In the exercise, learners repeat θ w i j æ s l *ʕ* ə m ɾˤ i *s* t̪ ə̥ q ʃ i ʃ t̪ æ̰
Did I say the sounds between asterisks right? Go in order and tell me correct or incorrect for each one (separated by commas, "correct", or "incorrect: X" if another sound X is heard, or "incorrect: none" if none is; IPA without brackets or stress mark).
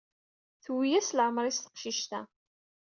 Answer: correct, correct